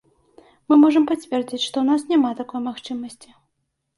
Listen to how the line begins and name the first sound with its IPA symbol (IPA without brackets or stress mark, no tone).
m